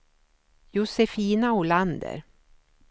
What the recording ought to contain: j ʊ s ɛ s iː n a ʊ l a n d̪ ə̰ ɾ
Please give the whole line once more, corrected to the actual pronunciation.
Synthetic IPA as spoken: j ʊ s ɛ f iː n a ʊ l a n d̪ ə̰ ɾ